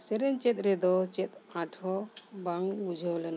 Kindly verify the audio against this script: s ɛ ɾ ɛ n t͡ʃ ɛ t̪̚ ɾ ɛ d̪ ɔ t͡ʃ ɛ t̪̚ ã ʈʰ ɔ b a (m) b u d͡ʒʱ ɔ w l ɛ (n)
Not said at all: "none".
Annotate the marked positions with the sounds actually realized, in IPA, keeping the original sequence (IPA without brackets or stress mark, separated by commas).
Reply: ŋ, n